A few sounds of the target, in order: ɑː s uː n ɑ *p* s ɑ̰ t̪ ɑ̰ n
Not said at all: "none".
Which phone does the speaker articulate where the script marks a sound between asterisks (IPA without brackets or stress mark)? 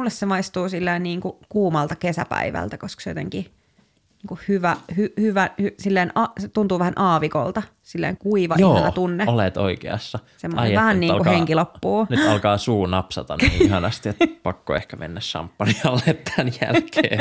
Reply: p